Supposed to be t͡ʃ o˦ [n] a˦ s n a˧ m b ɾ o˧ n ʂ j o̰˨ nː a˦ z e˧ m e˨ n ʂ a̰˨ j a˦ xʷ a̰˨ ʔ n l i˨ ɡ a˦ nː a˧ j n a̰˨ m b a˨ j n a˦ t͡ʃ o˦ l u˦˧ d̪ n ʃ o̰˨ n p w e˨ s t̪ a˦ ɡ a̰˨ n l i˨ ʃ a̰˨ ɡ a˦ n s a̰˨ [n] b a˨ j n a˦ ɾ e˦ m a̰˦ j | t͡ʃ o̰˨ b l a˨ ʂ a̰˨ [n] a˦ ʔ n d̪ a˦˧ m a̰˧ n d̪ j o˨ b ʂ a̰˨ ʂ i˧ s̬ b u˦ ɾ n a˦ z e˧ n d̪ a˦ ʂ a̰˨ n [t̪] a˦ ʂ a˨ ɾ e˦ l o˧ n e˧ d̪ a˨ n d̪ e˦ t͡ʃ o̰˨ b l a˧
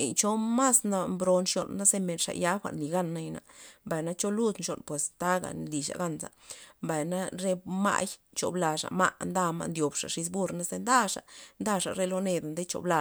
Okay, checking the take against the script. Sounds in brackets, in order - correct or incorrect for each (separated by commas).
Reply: incorrect, incorrect, incorrect, incorrect